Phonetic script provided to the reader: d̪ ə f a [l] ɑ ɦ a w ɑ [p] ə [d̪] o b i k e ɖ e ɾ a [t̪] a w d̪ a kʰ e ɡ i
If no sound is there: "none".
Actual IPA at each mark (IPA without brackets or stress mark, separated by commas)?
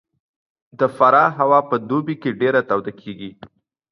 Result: ɾ, p, d̪, t̪